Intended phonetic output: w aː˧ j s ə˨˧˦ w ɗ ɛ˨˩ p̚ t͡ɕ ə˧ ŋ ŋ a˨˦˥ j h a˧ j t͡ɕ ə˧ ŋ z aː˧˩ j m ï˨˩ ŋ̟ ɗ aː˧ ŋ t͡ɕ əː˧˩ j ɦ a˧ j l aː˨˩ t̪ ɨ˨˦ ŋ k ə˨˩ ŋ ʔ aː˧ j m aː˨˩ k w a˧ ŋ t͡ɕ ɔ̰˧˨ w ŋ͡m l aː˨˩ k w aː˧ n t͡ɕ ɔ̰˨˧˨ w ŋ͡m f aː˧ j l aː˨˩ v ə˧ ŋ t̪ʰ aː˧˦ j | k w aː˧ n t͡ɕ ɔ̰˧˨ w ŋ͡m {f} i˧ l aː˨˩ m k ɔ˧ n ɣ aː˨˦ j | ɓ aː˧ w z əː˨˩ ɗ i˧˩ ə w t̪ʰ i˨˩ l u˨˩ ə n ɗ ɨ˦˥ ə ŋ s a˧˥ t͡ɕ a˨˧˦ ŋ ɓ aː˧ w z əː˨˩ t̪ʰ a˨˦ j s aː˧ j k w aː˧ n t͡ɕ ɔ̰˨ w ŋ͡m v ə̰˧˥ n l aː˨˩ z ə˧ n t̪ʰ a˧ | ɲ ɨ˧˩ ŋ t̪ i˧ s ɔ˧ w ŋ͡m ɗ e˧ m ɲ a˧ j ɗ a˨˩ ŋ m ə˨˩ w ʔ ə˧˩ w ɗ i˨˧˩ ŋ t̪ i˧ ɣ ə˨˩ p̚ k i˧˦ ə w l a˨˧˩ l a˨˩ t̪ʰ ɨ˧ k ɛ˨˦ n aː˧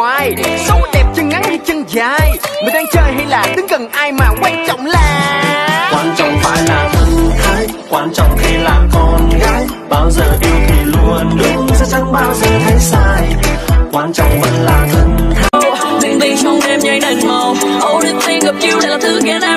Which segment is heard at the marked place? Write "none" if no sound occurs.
x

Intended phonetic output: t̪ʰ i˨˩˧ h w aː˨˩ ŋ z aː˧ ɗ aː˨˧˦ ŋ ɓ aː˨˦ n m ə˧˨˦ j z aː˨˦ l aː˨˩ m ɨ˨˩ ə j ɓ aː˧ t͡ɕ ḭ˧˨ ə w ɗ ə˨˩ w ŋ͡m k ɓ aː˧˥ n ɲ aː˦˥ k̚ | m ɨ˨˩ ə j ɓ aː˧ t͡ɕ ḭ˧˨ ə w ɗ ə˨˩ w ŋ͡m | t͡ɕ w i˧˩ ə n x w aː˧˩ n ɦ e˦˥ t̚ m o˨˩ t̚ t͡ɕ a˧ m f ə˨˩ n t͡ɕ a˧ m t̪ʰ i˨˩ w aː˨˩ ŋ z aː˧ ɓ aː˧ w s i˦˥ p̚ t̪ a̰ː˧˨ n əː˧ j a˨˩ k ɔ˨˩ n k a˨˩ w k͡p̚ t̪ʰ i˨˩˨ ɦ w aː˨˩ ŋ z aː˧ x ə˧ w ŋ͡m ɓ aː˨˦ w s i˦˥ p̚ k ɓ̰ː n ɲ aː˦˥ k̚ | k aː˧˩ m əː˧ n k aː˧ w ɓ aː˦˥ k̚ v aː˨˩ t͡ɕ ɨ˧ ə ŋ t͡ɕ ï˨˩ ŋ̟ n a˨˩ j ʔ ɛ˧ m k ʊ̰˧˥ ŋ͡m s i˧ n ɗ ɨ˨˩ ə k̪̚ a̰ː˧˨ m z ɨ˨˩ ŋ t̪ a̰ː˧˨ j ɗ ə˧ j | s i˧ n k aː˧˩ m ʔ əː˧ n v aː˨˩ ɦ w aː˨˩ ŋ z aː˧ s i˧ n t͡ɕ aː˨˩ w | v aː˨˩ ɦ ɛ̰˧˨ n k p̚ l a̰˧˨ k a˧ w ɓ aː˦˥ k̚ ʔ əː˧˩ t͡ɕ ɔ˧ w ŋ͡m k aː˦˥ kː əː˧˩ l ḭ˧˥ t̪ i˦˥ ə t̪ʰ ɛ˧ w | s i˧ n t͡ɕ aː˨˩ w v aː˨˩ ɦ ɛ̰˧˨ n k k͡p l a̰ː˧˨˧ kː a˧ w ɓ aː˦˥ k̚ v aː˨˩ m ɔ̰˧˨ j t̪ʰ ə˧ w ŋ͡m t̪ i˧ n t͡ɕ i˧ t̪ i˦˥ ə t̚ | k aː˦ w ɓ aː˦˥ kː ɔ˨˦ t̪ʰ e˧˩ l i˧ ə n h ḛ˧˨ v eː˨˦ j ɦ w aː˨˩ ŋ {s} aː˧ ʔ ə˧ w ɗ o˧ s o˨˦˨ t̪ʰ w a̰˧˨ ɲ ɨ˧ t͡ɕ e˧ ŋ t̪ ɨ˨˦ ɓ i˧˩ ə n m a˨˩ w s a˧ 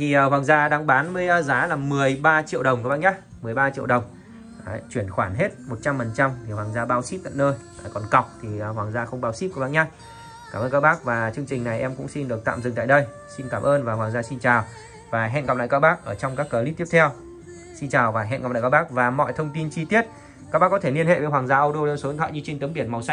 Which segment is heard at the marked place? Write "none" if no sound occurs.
z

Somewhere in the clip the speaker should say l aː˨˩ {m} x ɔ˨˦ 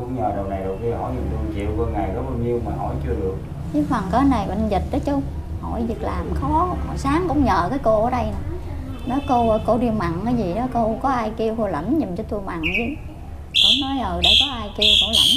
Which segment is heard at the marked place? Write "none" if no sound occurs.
m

